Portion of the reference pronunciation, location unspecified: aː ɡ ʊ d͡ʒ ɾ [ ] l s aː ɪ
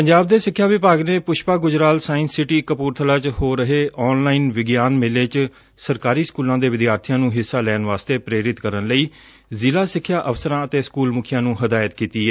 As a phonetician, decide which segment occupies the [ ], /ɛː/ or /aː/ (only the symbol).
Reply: aː